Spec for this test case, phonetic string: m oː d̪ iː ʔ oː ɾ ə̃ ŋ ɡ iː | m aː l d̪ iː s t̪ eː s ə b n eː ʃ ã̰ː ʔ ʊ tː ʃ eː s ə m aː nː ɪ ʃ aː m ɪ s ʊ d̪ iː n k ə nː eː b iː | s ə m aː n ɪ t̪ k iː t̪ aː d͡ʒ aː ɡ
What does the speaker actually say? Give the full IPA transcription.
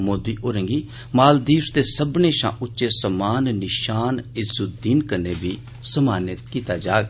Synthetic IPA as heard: m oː d̪ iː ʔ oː ɾ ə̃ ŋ ɡ iː | m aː l d̪ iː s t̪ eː s ə b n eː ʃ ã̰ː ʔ ʊ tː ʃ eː s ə m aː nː ɪ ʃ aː n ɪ z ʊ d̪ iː n k ə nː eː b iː | s ə m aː n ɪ t̪ k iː t̪ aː d͡ʒ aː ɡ